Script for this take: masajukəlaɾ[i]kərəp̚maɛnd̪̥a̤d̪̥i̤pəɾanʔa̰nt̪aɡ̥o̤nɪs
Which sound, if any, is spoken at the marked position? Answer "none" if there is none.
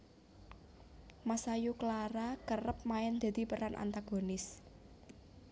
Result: a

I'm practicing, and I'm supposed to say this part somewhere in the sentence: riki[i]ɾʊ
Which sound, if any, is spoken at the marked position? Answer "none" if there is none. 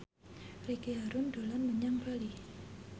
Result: a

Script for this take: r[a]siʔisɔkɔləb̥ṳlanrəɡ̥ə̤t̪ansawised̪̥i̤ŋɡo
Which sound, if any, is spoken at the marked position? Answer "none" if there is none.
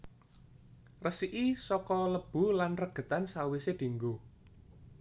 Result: ə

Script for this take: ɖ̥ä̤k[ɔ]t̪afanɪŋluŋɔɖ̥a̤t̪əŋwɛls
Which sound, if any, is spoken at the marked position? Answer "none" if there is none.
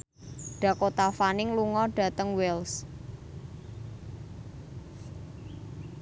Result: o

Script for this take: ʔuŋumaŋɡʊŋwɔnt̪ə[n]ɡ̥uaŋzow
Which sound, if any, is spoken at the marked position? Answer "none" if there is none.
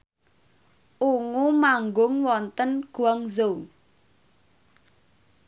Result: n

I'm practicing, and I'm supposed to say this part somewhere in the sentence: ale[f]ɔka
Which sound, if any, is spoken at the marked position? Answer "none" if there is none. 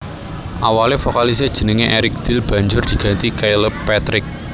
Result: f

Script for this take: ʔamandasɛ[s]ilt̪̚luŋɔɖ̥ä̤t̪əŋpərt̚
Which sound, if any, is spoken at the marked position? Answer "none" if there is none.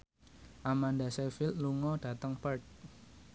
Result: f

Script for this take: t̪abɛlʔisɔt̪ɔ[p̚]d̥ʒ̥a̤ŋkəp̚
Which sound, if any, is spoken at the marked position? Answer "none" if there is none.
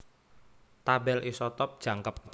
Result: p̚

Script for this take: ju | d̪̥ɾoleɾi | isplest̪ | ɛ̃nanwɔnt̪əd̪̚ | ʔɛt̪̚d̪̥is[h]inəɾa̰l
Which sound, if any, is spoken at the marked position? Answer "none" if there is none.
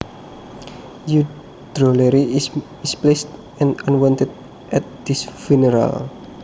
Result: f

